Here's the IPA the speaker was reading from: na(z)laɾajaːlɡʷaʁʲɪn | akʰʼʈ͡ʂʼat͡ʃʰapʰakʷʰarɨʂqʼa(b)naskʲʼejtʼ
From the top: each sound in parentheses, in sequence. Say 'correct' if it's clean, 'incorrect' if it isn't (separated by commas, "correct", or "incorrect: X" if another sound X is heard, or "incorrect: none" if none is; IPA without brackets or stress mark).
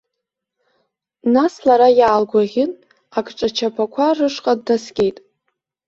incorrect: s, incorrect: d